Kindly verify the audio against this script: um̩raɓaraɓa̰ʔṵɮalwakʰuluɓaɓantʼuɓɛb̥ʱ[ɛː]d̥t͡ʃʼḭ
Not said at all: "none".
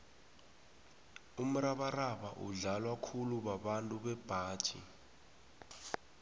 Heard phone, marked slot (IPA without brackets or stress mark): aː